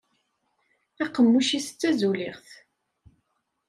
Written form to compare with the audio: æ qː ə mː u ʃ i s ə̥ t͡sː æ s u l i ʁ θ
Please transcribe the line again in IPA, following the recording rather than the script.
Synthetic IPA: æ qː ə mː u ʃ i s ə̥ t͡sː æ z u l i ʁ θ

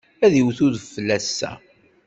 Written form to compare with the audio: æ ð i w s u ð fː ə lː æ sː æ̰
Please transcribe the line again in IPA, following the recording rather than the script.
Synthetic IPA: æ ð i w θ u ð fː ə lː æ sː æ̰

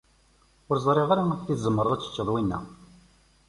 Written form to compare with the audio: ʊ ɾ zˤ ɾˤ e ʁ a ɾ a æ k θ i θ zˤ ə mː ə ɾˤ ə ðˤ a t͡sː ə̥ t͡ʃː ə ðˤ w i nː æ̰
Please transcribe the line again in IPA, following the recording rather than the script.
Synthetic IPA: ʊ ɾ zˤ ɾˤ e ʁ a ɾ a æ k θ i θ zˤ ə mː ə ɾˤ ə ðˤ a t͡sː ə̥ t͡ʃː ə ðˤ w i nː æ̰

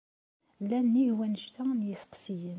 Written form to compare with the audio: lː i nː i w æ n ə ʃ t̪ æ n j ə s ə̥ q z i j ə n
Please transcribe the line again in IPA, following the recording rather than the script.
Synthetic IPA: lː æ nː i w æ n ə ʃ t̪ æ n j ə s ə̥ q s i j ə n

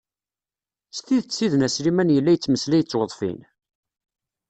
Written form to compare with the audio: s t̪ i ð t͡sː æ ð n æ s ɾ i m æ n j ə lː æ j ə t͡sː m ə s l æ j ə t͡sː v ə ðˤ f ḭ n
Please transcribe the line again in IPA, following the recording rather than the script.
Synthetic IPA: s t̪ i ð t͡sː i ð n æ s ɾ i m æ n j ə lː æ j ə t͡sː m ə s l æ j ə t͡sː w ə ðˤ f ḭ n

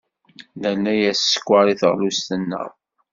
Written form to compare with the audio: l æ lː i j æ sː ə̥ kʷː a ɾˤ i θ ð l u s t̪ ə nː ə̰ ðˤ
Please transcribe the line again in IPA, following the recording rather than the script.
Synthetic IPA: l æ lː æ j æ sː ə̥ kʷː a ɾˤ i θ ʁ l u s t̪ ə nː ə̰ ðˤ

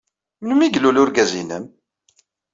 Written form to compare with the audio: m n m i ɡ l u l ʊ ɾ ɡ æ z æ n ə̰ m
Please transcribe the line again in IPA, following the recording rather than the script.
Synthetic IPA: m n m i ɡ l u l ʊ ɾ ɡ æ z i n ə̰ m

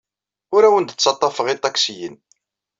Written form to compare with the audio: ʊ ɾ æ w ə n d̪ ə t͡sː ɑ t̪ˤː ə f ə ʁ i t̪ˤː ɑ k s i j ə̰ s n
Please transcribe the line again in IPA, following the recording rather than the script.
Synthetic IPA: ʊ ɾ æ w ə n d̪ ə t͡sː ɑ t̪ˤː ɑ f ə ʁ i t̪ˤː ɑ k s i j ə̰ n

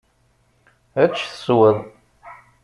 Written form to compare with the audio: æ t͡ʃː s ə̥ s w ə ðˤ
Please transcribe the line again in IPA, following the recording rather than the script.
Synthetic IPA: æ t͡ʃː θ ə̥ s w ə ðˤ

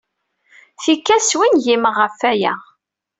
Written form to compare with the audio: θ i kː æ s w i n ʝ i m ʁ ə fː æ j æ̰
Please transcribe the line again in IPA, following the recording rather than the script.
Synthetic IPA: θ i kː æ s w i n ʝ i m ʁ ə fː æ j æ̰

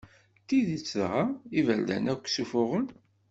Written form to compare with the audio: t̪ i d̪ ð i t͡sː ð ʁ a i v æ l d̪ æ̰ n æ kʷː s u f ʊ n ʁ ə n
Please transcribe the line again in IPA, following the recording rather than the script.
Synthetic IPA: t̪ i ð i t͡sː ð ʁ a i v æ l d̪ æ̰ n æ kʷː s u f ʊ ʁ ə n

